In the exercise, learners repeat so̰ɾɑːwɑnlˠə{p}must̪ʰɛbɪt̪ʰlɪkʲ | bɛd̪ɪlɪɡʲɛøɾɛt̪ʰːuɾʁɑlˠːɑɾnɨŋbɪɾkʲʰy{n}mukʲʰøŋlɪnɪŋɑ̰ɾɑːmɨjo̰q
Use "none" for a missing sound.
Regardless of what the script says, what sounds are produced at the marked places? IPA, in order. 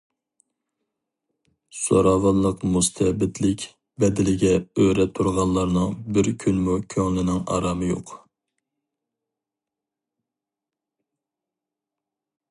q, n

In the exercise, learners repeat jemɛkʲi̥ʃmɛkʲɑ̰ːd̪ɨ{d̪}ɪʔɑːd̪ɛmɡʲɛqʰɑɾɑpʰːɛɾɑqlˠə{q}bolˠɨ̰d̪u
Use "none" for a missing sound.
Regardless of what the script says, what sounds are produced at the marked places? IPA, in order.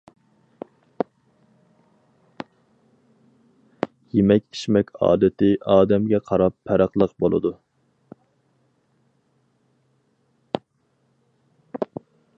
t̪, q

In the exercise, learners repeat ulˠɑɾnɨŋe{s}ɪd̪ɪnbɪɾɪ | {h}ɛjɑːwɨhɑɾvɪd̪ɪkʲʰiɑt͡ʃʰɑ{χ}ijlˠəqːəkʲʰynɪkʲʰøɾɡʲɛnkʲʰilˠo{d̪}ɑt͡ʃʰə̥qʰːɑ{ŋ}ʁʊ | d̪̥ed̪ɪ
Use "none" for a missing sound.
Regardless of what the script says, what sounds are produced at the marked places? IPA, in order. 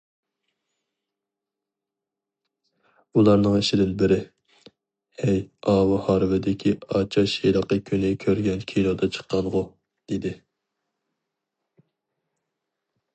ʃ, h, ʃ, d̪, n

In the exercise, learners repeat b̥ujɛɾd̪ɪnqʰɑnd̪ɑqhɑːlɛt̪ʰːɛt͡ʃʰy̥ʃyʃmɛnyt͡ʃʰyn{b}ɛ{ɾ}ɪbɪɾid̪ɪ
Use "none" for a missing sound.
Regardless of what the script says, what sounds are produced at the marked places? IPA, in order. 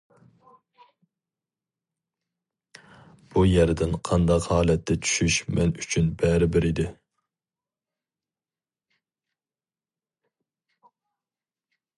b, ɾ

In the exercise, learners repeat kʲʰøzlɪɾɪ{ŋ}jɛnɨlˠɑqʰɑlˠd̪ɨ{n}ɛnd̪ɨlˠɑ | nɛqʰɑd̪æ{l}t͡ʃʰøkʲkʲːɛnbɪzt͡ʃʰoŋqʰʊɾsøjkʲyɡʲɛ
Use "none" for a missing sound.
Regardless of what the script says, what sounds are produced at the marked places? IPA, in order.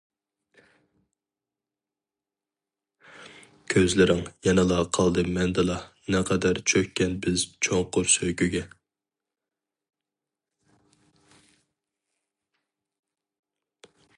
ŋ, m, ɾ

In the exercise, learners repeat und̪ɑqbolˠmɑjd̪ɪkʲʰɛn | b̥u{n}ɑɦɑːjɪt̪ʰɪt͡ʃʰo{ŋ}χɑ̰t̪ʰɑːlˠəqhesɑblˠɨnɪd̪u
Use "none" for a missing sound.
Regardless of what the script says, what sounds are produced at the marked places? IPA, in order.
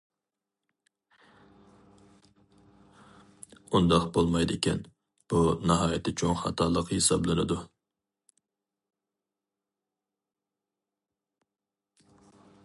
n, ŋ

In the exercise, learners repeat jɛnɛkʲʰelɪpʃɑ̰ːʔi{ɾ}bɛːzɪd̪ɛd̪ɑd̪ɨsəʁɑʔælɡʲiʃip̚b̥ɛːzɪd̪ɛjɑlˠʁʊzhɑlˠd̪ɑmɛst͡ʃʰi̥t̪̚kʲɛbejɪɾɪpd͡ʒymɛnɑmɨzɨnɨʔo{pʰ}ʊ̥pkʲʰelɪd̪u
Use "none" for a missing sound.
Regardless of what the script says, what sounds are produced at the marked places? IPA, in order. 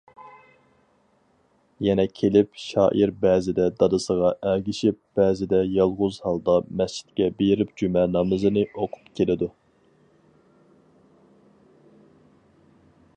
ɾ, qʰ

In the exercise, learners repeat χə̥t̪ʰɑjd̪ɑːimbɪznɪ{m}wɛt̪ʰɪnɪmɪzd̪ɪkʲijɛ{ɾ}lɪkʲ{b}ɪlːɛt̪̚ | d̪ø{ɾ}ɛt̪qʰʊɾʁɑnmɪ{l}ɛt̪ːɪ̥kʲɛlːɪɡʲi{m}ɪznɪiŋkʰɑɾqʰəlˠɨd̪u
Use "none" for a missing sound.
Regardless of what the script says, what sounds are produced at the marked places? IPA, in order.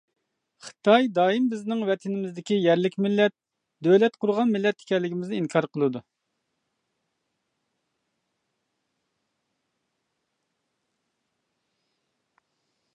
ŋ, ɾ, m, l, lː, m

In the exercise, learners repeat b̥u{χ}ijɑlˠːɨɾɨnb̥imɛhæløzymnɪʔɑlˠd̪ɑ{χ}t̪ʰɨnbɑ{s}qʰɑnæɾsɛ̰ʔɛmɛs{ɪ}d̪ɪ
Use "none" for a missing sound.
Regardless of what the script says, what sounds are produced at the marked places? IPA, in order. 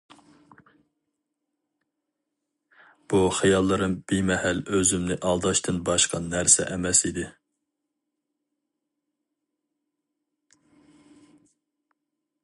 χ, ʃ, ʃ, i

